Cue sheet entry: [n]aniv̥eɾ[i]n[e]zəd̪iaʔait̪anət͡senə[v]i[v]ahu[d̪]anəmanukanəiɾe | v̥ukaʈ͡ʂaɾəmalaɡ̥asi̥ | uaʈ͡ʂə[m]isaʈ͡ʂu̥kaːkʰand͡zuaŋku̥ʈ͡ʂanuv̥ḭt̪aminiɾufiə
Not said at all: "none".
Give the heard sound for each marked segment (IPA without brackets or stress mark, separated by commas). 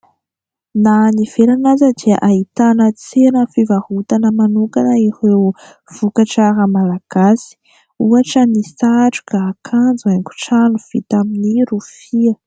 n, a, a, f, v, t̪, n